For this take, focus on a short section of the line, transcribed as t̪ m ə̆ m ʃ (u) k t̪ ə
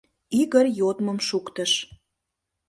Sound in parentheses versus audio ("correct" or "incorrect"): correct